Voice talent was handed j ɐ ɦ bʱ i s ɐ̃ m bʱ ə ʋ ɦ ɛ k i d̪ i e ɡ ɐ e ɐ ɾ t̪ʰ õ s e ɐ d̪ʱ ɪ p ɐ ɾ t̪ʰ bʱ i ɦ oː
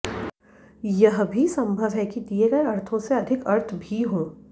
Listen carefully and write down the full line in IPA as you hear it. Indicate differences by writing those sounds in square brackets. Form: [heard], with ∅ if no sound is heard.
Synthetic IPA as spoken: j ɐ ɦ bʱ i s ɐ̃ m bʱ ə ʋ ɦ ɛ k i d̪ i e ɡ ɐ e ɐ ɾ t̪ʰ õ s e ɐ d̪ʱ ɪ [k] ɐ ɾ t̪ʰ bʱ i ɦ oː

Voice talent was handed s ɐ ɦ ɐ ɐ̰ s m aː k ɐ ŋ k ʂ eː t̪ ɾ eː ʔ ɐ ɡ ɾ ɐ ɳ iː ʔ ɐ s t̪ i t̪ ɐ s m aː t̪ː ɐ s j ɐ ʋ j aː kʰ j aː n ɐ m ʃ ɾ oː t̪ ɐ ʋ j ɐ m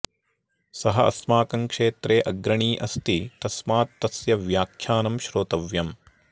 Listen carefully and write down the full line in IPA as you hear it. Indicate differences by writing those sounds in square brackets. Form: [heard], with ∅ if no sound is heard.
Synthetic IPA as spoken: s ɐ ɦ ɐ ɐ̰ s m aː k ɐ ŋ k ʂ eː t̪ ɾ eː ʔ ɐ ɡ ɾ ɐ ɳ iː ʔ ɐ s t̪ i t̪ ɐ s m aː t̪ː ɐ s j ɐ ʋ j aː kʰ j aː n ɐ m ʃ ɾ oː t̪ ɐ ʋ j ɐ m

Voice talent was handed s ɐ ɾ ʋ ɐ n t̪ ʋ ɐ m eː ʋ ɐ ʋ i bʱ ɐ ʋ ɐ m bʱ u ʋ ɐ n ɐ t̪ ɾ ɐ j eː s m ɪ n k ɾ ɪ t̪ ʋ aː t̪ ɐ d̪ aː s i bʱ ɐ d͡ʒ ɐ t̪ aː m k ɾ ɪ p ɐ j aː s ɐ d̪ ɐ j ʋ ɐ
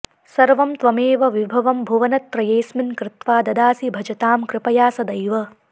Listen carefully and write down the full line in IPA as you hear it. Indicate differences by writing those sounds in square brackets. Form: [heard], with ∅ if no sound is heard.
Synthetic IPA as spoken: s ɐ ɾ ʋ ɐ [m] t̪ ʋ ɐ m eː ʋ ɐ ʋ i bʱ ɐ ʋ ɐ m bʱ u ʋ ɐ n ɐ t̪ ɾ ɐ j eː s m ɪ n k ɾ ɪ t̪ ʋ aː [d̪] ɐ d̪ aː s i bʱ ɐ d͡ʒ ɐ t̪ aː m k ɾ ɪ p ɐ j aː s ɐ d̪ ɐ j ʋ ɐ

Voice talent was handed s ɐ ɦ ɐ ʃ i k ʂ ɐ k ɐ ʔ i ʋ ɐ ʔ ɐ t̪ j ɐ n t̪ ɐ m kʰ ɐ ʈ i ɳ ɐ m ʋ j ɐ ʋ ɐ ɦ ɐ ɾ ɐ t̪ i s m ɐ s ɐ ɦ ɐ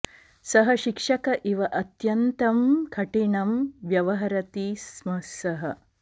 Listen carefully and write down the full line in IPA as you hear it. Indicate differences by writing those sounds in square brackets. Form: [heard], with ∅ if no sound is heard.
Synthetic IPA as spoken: s ɐ ɦ ɐ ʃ i k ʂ ɐ k ɐ ʔ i ʋ ɐ ʔ ɐ t̪ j ɐ n t̪ ɐ m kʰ ɐ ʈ i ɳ ɐ m ʋ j ɐ ʋ ɐ ɦ ɐ ɾ ɐ t̪ i s m ɐ s ɐ ɦ ɐ

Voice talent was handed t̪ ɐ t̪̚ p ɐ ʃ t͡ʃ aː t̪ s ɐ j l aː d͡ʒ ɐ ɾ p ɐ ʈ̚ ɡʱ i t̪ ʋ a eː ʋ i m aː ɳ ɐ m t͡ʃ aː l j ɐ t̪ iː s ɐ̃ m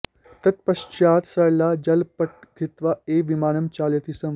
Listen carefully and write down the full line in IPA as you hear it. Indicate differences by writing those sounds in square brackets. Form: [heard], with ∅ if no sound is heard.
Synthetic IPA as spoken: t̪ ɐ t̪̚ p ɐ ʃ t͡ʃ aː t̪ s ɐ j l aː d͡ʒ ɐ [l] p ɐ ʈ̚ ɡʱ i t̪ ʋ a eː ʋ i m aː [n] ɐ m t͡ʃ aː l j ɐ t̪ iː s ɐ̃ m

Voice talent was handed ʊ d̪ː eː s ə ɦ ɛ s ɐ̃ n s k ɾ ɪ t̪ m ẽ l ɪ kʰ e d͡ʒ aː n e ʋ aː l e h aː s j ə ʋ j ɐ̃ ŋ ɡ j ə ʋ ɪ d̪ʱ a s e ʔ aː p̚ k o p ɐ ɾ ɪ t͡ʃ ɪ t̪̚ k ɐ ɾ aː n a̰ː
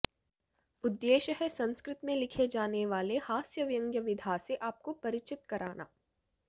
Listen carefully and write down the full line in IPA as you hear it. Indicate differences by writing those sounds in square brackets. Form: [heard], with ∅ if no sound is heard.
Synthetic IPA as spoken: ʊ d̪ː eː [ʃ] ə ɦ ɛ s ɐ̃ n s k ɾ ɪ t̪ m ẽ l ɪ kʰ e d͡ʒ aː n e ʋ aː l e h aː s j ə ʋ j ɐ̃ ŋ ɡ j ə ʋ ɪ d̪ʱ a s e ʔ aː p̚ k o p ɐ ɾ ɪ t͡ʃ ɪ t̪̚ k ɐ ɾ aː n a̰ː

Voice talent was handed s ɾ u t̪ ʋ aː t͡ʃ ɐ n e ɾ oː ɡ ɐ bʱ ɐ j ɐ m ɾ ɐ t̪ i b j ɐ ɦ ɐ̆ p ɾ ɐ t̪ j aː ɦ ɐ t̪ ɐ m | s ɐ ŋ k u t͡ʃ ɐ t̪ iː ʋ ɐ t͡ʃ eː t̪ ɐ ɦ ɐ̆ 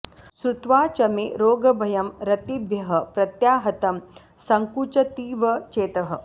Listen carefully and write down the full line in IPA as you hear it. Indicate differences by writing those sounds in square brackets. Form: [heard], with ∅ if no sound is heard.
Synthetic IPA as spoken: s ɾ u t̪ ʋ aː t͡ʃ ɐ [m] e ɾ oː ɡ ɐ bʱ ɐ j ɐ m ɾ ɐ t̪ i b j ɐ ɦ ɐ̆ p ɾ ɐ t̪ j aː ɦ ɐ t̪ ɐ m | s ɐ ŋ k u t͡ʃ ɐ t̪ iː ʋ ɐ t͡ʃ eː t̪ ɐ ɦ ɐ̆

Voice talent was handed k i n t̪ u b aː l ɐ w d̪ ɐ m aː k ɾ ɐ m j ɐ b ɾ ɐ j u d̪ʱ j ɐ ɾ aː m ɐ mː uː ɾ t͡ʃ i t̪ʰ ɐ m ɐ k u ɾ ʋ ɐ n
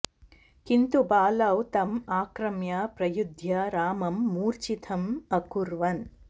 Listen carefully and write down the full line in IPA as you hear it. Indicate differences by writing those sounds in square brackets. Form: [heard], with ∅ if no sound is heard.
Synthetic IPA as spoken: k i n t̪ u b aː l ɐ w [t̪] ɐ m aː k ɾ ɐ m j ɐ [p] ɾ ɐ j u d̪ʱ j ɐ ɾ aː m ɐ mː uː ɾ t͡ʃ i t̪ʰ ɐ m ɐ k u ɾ ʋ ɐ n

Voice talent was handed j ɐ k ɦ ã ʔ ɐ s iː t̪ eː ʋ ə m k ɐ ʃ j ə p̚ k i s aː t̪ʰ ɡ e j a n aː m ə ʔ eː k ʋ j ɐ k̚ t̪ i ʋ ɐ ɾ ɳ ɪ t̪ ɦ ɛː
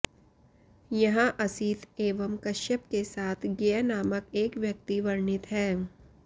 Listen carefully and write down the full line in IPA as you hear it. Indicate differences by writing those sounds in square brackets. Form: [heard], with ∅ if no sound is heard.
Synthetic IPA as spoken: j ɐ [∅] ɦ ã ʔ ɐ s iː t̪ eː ʋ ə m k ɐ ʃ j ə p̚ k [e] s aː t̪ʰ ɡ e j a n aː m ə [k] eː k ʋ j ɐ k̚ t̪ i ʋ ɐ ɾ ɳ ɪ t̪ ɦ ɛː

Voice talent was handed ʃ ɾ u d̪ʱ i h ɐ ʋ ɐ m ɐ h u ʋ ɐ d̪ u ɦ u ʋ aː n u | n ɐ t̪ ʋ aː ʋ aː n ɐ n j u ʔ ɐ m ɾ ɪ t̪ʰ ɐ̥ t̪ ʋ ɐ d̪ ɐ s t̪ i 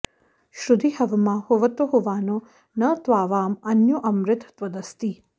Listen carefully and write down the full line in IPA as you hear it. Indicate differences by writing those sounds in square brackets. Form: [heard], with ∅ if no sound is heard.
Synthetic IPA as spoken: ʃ ɾ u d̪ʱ i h ɐ ʋ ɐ m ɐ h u ʋ ɐ [t̪] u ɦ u ʋ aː n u | n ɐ t̪ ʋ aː ʋ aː [m] ɐ n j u ʔ ɐ m ɾ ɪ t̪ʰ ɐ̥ t̪ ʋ ɐ d̪ ɐ s t̪ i

